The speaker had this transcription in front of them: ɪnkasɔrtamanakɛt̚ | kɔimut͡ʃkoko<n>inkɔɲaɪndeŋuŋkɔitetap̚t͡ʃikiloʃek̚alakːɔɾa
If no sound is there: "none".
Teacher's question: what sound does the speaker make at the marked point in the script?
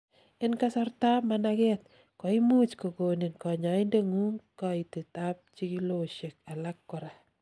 n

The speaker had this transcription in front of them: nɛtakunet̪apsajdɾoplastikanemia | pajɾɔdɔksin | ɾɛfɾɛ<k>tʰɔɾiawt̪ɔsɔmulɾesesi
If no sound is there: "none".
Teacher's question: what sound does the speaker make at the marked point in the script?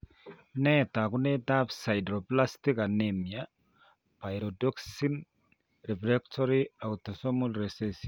k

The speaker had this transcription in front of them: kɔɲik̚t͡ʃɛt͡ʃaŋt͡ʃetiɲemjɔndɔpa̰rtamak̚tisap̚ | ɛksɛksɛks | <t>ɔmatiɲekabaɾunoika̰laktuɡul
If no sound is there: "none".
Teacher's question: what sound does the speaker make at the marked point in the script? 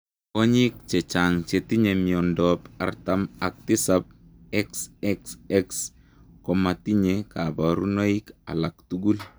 k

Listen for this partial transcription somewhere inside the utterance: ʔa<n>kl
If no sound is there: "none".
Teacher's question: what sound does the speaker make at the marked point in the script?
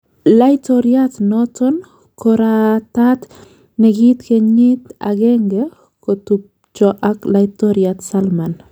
none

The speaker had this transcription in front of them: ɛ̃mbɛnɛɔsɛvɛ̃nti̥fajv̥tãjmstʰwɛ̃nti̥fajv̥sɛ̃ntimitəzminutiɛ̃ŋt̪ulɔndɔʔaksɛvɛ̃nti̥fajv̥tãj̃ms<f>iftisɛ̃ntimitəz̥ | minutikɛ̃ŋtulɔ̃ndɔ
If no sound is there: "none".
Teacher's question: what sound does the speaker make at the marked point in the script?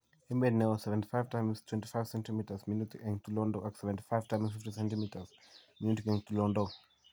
f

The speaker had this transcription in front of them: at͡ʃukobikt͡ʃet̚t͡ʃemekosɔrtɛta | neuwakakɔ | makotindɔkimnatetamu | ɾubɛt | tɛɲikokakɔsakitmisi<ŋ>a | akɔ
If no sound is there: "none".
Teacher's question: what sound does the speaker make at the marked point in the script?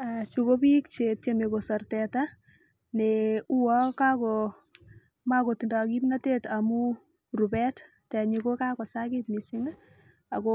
ŋ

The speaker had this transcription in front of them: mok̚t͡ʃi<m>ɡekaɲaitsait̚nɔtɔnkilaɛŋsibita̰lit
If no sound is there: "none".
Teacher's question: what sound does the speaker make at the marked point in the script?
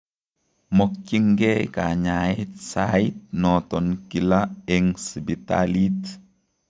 ŋ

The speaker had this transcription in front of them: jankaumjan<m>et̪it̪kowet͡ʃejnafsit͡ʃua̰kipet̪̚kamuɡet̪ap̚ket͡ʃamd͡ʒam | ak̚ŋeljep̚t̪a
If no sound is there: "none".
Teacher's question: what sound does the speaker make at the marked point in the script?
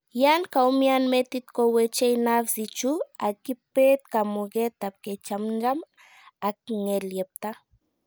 m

